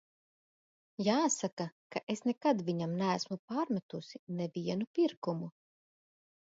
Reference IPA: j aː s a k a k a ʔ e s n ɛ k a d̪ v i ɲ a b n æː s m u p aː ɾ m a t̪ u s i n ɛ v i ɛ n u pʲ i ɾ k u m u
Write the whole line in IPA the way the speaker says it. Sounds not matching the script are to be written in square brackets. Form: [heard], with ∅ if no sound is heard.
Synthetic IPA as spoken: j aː s a k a k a ʔ e s n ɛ k a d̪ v i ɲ a [m] n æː s m u p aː ɾ m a t̪ u s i n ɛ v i ɛ n u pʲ i ɾ k u m u